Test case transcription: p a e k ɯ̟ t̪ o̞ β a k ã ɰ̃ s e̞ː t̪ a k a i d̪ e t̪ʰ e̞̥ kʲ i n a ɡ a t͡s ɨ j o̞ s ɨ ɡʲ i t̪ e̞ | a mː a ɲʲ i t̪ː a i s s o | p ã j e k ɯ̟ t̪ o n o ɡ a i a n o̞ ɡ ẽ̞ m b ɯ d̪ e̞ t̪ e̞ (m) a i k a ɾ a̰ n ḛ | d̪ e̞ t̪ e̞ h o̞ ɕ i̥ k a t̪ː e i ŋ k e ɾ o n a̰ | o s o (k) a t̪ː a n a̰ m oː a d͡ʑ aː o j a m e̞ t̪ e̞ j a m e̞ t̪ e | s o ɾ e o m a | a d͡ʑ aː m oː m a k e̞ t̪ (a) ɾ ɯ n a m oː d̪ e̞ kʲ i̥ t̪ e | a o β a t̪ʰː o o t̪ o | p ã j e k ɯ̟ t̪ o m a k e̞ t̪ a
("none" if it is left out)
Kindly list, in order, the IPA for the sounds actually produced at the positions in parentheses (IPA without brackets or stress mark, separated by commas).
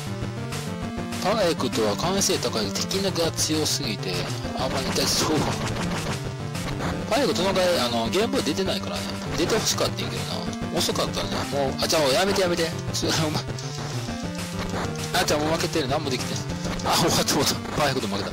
n, k, e